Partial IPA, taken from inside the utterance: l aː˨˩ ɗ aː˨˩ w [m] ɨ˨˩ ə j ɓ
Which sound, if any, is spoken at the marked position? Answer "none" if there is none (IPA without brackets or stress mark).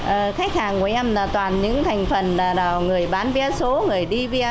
ŋ